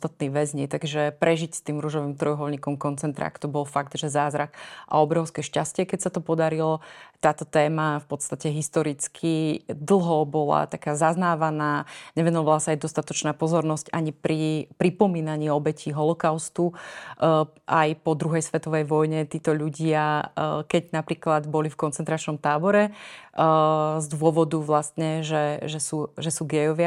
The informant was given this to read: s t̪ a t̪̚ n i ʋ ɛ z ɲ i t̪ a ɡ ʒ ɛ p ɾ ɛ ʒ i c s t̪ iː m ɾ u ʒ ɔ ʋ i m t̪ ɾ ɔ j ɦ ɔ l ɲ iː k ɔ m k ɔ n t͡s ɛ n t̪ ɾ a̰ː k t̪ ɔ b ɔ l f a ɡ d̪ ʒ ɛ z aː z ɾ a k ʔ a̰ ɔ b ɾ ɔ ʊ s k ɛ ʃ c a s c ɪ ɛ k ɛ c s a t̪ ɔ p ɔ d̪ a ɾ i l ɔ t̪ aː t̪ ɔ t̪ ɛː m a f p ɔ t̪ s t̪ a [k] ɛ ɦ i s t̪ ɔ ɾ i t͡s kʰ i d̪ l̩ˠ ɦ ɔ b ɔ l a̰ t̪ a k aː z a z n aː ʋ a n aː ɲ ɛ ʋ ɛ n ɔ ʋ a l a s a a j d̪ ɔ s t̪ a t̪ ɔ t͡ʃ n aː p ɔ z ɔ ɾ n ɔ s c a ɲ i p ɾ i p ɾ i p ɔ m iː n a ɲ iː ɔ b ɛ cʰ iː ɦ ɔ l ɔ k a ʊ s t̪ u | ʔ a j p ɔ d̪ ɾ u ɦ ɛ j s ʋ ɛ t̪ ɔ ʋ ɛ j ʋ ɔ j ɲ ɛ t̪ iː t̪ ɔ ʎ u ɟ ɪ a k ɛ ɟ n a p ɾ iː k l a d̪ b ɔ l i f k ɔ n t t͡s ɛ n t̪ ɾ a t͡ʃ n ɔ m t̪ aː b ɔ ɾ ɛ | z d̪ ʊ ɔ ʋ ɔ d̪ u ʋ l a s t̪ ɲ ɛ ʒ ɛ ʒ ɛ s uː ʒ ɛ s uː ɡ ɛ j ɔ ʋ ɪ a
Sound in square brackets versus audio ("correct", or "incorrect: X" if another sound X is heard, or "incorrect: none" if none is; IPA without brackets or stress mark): incorrect: c